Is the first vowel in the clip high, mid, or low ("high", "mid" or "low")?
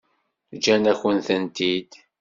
low